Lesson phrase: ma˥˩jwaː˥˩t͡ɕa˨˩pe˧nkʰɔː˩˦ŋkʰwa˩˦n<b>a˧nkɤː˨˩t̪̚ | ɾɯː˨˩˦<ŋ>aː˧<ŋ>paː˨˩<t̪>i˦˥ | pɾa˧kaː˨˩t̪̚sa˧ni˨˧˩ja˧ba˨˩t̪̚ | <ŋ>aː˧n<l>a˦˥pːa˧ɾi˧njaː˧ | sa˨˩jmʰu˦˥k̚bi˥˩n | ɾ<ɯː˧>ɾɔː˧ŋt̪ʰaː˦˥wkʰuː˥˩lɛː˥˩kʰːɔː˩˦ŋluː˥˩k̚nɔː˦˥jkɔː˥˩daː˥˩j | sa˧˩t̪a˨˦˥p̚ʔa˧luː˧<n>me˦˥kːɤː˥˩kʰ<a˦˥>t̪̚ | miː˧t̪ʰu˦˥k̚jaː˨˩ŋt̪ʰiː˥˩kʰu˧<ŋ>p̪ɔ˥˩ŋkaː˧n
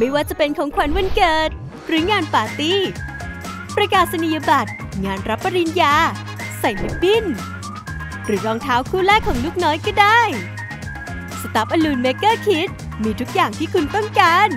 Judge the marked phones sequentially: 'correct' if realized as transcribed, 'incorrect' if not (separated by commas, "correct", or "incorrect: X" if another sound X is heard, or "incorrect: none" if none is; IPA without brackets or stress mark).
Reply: incorrect: w, correct, incorrect: n, correct, correct, incorrect: ɾ, incorrect: ɯː˩˦, correct, incorrect: i˦˥, incorrect: n